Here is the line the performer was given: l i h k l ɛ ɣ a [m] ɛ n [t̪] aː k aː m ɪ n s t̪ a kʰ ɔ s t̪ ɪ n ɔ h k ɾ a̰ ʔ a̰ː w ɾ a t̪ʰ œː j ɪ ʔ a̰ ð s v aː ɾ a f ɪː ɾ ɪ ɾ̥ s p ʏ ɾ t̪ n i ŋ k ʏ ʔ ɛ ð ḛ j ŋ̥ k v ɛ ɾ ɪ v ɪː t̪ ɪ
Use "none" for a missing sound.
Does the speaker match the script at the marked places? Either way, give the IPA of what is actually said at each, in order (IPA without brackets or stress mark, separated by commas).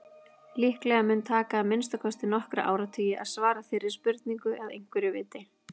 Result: m, t̪ʰ